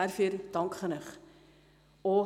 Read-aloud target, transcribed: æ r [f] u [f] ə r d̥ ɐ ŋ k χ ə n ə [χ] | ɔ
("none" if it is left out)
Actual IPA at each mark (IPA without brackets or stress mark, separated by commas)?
f, none, χ